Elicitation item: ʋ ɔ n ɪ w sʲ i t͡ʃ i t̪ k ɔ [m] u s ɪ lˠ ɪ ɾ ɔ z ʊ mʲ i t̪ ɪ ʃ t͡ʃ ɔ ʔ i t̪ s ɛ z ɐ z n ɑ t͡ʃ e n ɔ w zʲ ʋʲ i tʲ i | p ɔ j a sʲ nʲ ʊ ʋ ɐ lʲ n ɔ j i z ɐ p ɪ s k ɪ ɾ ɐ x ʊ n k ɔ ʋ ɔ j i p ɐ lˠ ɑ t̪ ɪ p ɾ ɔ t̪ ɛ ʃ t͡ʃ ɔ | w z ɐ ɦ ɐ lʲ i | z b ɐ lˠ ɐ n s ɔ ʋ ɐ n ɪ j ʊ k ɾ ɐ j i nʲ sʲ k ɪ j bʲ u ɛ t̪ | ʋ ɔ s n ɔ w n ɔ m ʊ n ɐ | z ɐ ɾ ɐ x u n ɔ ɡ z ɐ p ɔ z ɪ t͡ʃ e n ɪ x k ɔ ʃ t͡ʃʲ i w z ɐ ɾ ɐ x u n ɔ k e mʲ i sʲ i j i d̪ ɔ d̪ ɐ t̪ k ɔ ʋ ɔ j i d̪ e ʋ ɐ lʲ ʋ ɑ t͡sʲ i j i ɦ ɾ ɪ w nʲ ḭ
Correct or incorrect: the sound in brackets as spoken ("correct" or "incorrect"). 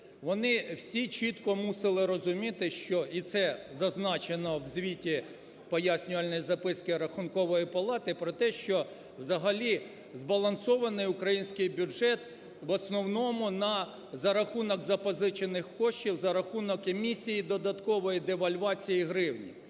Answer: correct